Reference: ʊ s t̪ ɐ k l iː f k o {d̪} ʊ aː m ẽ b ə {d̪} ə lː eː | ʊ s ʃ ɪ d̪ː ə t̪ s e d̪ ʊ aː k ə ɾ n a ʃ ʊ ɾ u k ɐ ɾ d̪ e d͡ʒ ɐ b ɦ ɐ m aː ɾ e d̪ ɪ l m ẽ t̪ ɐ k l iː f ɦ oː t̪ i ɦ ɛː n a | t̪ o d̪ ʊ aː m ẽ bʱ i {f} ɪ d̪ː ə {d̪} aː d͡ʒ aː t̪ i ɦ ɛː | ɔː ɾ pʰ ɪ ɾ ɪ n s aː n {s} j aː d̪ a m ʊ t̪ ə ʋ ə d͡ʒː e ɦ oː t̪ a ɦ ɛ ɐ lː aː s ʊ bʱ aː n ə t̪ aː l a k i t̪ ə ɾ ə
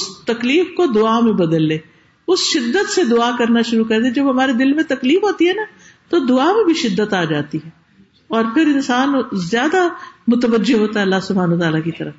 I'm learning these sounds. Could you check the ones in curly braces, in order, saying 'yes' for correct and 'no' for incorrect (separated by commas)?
yes, yes, no, no, no